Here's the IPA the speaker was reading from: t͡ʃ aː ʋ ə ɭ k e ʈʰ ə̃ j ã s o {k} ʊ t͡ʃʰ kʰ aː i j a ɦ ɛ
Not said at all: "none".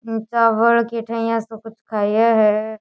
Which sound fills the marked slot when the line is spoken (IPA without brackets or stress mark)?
k